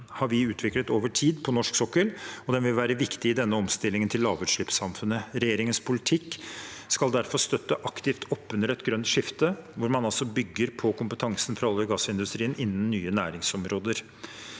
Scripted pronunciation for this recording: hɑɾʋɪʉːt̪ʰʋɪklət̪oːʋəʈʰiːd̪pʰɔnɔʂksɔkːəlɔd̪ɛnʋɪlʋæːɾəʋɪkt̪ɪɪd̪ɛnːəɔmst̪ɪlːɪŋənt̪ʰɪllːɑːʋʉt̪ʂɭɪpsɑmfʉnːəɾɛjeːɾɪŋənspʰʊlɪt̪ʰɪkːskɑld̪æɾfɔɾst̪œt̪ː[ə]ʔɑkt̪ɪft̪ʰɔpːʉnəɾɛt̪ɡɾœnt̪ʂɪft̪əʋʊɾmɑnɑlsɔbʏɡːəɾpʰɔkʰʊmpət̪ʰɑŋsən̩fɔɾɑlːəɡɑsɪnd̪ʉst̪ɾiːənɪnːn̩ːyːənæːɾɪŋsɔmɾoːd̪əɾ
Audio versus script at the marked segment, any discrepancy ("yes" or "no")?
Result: no